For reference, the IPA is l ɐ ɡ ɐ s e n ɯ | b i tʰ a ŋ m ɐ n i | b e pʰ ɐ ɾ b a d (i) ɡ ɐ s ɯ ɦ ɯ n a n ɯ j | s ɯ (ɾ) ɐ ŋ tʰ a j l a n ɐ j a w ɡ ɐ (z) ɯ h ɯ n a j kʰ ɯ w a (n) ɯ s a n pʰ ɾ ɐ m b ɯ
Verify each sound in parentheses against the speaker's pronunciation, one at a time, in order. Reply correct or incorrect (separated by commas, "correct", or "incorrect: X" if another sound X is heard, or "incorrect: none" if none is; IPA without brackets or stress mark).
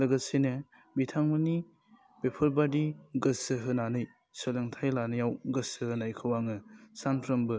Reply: correct, incorrect: l, incorrect: s, incorrect: ŋ